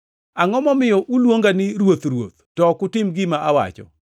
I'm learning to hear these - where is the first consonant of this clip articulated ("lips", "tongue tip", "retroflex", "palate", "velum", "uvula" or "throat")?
velum